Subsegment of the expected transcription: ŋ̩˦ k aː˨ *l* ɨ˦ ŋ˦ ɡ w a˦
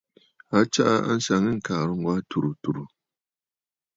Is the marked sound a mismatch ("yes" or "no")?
yes